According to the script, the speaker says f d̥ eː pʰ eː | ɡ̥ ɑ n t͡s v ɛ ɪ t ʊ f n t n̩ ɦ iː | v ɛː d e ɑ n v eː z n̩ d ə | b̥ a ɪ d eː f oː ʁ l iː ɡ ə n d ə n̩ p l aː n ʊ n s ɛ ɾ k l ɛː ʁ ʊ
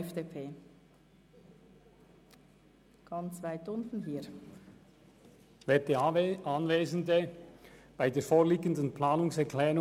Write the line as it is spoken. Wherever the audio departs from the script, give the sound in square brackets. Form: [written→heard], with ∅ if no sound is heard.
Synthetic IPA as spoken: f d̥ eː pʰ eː | ɡ̥ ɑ n t͡s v [ɛ→a] ɪ t ʊ [f→∅] n t n̩ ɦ iː | v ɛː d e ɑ n v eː z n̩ d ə | b̥ a ɪ d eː f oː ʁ l iː ɡ ə n d ə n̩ p l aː n ʊ [n→ŋ] s ɛ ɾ k l ɛː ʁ ʊ